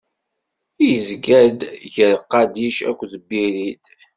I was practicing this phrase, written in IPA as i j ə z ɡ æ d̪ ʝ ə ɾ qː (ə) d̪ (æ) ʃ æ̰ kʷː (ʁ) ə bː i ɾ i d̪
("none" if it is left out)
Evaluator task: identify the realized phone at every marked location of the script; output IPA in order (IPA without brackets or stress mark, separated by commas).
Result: ɑ, i, ð